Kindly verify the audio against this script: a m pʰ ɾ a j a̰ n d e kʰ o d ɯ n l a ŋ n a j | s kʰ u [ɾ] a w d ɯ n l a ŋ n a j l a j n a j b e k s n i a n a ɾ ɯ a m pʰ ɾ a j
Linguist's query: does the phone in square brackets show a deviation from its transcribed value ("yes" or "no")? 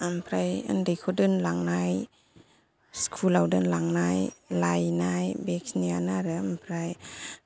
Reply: yes